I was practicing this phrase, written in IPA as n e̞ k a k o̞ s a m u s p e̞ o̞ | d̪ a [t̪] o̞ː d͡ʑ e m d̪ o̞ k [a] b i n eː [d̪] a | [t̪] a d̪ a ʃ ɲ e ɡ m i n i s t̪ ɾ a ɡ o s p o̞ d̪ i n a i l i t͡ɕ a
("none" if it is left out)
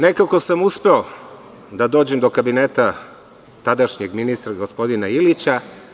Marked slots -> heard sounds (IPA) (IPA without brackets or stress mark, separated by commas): d̪, a, t̪, t̪